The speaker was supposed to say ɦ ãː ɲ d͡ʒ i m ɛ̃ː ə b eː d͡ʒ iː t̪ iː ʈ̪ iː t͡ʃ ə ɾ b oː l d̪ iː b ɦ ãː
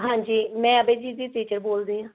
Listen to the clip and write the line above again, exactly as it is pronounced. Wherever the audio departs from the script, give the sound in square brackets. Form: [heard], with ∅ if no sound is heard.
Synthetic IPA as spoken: ɦ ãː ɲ d͡ʒ [iː] m ɛ̃ː ə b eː d͡ʒ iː [d̪] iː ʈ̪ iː t͡ʃ ə ɾ b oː l d̪ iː [∅] ɦ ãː